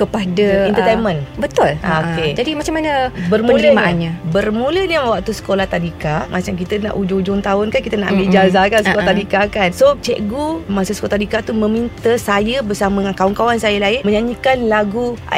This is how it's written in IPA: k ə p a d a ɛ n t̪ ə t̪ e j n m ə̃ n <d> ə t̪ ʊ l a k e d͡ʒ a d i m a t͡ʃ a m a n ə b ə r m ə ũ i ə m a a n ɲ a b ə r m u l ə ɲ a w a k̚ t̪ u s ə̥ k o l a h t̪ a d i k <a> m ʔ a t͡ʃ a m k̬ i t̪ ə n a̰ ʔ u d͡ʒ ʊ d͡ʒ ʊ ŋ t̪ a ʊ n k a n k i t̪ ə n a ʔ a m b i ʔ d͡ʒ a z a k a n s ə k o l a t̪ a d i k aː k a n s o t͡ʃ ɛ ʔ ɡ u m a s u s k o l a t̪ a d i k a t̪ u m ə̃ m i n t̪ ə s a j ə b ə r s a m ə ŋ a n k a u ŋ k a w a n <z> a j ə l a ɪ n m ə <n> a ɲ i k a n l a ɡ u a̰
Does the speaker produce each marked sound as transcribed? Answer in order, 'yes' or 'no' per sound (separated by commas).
no, yes, no, no